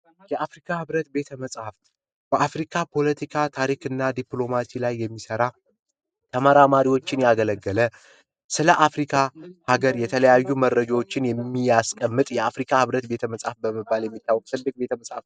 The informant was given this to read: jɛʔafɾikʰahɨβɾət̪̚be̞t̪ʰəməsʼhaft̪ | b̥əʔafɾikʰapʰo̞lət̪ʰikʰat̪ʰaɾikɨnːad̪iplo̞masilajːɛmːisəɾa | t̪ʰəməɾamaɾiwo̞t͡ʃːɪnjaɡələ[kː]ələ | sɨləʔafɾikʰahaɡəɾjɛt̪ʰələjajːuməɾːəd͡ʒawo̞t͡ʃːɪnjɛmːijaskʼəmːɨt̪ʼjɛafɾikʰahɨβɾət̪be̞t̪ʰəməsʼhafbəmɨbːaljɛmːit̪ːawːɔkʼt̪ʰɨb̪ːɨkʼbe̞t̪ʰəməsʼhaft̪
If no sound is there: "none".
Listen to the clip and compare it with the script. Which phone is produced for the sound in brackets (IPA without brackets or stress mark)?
ɡː